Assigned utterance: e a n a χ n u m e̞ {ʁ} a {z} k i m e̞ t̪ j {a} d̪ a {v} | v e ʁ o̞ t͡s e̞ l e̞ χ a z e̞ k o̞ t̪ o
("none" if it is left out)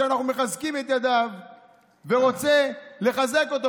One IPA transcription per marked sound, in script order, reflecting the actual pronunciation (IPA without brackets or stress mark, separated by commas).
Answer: χ, z, a, v